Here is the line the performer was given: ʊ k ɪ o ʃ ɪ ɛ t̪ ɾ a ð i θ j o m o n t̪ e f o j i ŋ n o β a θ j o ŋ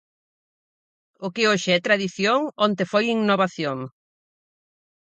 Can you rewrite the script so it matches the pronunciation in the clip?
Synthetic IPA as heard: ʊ k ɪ o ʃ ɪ ɛ t̪ ɾ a ð i θ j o ŋ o n t̪ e f o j i ŋ n o β a θ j o ŋ